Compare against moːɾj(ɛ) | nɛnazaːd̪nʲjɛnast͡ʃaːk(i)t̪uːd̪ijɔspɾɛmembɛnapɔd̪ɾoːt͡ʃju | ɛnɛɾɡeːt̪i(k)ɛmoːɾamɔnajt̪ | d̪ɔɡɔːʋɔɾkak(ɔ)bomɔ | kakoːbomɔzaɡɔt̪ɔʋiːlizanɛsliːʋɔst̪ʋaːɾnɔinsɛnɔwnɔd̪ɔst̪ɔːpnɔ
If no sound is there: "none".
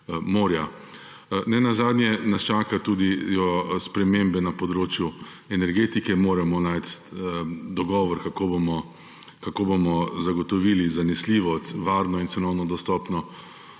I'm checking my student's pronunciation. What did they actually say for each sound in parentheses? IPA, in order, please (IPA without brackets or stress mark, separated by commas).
a, a, k, o